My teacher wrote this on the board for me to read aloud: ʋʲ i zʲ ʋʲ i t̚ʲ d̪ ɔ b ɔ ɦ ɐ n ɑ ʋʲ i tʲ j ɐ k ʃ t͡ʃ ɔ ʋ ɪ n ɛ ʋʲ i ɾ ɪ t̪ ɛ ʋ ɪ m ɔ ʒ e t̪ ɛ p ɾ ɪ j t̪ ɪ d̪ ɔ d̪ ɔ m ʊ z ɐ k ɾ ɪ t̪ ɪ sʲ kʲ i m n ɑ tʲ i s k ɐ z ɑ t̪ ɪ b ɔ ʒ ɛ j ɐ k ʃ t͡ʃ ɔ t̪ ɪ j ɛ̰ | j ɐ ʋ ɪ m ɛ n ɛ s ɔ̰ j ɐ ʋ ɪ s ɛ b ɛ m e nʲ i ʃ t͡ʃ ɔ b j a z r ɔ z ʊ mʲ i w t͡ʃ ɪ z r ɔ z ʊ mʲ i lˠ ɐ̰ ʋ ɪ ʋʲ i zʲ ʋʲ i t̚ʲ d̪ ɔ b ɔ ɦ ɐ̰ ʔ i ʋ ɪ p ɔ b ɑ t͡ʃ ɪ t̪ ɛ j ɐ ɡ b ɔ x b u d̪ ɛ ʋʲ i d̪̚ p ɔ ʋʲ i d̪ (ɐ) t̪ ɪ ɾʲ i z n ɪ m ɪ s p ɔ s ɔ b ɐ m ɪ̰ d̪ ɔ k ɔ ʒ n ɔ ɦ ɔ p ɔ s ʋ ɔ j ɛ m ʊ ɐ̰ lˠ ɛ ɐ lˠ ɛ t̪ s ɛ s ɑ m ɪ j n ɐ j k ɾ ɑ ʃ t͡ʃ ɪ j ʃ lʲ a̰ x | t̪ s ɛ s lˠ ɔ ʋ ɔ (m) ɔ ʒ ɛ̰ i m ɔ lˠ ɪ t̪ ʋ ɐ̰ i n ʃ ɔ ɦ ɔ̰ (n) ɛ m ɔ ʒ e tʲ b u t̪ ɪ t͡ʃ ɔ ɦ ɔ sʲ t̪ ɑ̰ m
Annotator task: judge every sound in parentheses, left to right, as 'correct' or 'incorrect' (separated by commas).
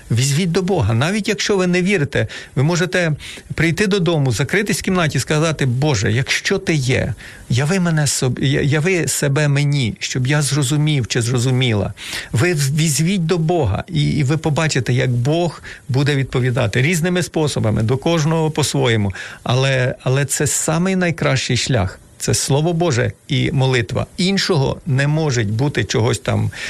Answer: incorrect, incorrect, correct